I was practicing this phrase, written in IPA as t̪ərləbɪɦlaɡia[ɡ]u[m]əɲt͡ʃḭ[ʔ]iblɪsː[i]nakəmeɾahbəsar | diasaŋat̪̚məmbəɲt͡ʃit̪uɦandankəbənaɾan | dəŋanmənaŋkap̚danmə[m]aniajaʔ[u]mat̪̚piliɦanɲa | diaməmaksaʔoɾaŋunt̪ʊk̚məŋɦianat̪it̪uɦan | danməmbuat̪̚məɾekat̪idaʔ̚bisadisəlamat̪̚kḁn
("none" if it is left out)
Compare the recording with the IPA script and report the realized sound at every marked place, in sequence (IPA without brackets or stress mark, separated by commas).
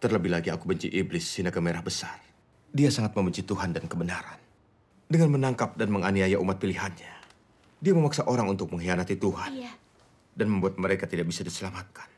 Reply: k, b, ʔ, i, ŋ, u